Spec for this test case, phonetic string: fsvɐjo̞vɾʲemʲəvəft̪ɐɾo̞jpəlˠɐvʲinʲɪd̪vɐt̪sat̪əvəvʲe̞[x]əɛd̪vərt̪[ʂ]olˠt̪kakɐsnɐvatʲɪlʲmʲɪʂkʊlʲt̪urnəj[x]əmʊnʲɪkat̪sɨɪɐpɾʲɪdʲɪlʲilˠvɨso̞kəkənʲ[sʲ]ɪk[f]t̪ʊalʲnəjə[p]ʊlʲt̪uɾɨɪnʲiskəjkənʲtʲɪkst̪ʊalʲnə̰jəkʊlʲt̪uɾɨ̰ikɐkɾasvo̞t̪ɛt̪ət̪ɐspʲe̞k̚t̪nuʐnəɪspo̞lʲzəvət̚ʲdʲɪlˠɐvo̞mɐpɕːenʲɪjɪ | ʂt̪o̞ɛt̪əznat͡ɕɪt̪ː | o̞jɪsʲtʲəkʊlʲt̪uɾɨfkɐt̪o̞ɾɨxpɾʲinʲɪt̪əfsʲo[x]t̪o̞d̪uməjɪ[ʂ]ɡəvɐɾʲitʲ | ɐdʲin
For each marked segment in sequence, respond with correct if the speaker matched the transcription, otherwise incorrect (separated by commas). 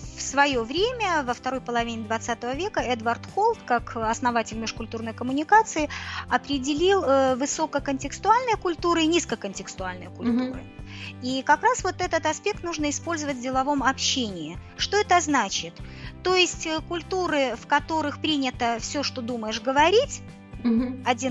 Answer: incorrect, incorrect, incorrect, incorrect, incorrect, incorrect, incorrect, correct